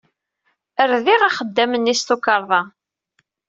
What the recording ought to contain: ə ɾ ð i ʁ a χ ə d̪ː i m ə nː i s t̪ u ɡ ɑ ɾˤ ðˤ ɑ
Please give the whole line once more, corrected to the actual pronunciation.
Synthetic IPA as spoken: ə ɾ ð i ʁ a χ ə d̪ː æ m ə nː i s t̪ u k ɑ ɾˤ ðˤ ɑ